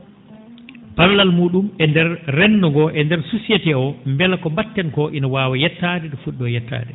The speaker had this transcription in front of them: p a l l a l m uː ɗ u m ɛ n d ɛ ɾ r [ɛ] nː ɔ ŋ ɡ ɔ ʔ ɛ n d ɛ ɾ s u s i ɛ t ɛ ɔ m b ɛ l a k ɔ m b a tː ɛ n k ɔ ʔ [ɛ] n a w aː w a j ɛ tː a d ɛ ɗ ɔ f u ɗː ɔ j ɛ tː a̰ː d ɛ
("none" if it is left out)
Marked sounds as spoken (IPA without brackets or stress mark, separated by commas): ɛ, i